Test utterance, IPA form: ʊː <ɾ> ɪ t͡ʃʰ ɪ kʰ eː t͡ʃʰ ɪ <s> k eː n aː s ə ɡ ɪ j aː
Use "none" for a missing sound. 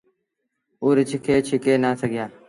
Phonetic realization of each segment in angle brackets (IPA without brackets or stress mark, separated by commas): ɾ, none